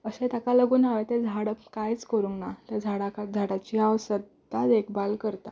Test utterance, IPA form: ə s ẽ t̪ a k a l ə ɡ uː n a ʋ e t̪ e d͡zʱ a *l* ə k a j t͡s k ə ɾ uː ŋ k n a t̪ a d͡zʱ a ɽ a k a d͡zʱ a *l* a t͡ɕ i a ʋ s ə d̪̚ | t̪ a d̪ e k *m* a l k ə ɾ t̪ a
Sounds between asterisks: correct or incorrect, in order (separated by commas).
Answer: incorrect, incorrect, incorrect